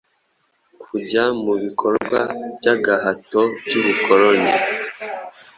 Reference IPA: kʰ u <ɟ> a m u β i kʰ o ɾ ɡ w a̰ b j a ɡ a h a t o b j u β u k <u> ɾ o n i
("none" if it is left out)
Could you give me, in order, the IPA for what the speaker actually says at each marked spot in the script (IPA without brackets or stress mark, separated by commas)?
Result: ɟ, o